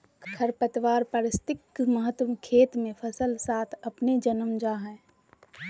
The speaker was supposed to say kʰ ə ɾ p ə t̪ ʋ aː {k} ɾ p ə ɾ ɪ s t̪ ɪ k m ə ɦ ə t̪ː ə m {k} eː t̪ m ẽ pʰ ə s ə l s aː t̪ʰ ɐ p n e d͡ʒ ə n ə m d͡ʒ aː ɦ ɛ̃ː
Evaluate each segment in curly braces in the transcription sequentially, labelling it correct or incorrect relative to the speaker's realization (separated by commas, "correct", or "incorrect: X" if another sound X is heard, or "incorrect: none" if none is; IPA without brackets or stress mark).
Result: incorrect: none, incorrect: kʰ